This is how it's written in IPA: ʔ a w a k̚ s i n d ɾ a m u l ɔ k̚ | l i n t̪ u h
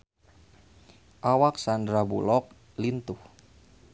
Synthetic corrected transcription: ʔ a w a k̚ s a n d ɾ a b u l ɔ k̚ | l i n t̪ u h